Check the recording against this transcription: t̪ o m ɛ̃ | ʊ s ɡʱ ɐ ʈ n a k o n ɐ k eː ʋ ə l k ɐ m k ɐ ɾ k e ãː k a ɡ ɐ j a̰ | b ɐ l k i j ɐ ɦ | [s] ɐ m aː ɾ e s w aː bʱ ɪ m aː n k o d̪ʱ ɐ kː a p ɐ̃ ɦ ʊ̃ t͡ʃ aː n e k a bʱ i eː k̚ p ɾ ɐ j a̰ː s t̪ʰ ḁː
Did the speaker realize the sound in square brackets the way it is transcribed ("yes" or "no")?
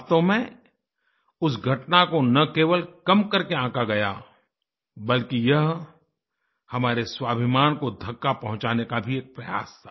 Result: no